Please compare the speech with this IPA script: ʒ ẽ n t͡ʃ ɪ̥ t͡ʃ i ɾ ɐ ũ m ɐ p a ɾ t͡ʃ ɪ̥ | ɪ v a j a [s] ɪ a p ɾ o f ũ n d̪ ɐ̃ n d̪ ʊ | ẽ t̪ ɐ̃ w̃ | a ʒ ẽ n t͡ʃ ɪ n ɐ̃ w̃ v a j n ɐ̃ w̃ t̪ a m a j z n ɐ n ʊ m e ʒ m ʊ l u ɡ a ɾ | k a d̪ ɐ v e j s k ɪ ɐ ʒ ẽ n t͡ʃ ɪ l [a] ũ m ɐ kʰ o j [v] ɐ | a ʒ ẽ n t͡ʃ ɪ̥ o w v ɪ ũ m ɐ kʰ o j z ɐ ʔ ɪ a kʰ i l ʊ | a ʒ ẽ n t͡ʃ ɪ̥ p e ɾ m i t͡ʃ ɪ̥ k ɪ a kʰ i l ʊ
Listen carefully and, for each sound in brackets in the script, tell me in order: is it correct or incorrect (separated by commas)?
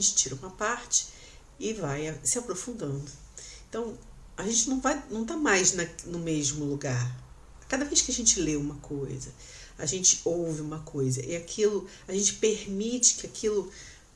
correct, incorrect, incorrect